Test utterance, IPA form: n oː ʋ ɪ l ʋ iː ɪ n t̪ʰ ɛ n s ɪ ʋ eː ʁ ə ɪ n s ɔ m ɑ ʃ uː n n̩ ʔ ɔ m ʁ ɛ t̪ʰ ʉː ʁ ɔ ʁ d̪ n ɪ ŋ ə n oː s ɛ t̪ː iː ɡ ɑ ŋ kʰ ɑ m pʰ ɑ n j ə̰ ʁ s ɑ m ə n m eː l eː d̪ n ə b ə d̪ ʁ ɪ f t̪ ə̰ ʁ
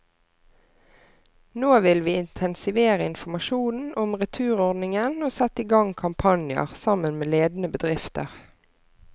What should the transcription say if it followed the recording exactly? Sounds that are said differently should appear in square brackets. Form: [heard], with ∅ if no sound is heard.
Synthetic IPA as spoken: n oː ʋ ɪ l ʋ iː ɪ n t̪ʰ ɛ n s ɪ ʋ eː ʁ ə ɪ n [f] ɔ m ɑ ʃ uː n n̩ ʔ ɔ m ʁ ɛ t̪ʰ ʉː ʁ ɔ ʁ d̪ n ɪ ŋ ə n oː s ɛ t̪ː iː ɡ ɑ ŋ kʰ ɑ m pʰ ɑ n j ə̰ ʁ s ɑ m ə n m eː l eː d̪ n ə b ə d̪ ʁ ɪ f t̪ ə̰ ʁ